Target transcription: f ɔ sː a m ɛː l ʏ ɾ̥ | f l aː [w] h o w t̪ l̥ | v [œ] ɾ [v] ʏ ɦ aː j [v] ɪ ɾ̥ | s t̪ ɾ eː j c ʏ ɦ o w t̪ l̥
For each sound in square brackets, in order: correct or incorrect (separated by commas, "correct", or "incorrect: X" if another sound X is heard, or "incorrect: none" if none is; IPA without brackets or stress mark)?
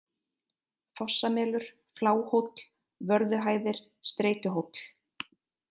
correct, correct, incorrect: ð, incorrect: ð